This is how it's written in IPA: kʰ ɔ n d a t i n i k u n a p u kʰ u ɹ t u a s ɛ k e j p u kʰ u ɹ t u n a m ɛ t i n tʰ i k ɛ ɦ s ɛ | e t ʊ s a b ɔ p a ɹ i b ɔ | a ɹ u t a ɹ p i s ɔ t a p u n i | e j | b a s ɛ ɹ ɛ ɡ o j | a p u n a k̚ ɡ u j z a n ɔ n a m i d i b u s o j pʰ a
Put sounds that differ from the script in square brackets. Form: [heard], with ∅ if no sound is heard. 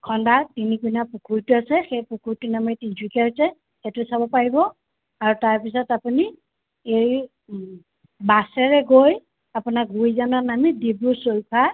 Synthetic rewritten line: kʰ ɔ n d a t i n i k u n a p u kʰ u ɹ t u a s ɛ [x] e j p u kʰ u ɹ t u n a m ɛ t i n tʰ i k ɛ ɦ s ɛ | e t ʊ s a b ɔ p a ɹ i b ɔ | a ɹ u t a ɹ p i s ɔ t a p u n i | e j | b a s ɛ ɹ ɛ ɡ o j | a p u n a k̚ ɡ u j z a n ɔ n a m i d i b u s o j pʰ a